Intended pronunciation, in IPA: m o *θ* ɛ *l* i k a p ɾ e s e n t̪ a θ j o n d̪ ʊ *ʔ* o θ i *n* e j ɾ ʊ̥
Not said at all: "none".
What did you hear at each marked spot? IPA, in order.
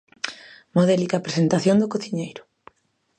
ð, l, k, ɲ

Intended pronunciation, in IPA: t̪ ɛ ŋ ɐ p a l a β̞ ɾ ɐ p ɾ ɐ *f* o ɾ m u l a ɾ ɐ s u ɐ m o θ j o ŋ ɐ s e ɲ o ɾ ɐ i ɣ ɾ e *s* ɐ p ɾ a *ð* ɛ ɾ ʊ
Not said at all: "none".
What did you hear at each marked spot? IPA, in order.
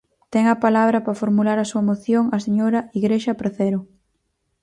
f, ʃ, θ

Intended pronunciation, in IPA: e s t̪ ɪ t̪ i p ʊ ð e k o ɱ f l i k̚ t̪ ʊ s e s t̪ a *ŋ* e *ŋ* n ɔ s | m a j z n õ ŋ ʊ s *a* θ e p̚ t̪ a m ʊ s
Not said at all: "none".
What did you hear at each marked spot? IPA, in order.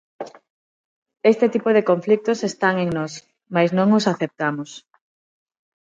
ŋ, ŋ, a

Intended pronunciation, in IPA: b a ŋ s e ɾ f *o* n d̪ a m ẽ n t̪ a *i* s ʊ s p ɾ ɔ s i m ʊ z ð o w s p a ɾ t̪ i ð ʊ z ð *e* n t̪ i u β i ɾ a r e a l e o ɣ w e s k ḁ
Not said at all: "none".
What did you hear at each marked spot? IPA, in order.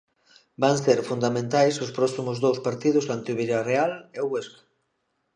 u, j, a

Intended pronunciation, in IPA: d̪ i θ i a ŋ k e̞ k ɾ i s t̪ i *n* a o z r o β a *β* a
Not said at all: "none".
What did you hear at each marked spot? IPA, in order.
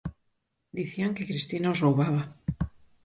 n, β

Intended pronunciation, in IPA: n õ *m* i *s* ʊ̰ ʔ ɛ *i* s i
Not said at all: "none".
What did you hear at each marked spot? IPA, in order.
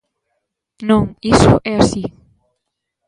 ŋ, s, a

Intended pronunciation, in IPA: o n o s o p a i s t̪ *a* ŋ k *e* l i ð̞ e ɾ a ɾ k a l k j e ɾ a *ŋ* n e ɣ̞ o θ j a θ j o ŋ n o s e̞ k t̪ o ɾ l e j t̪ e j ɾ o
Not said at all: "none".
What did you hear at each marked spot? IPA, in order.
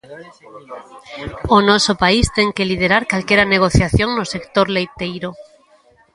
e, e, none

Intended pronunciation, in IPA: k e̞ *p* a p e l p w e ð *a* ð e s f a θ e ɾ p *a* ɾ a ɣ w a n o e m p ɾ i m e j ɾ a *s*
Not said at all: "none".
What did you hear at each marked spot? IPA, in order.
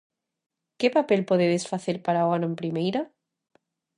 p, e, a, none

